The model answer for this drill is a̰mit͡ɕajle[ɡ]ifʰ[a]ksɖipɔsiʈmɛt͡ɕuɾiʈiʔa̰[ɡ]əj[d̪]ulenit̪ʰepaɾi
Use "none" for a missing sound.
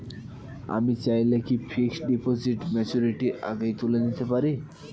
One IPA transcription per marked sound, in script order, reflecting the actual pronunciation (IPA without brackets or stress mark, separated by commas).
k, i, ɡ, t̪